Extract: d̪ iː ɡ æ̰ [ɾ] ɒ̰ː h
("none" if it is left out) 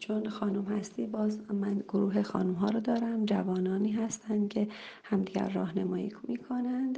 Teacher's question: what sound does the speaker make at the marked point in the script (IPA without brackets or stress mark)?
ɾː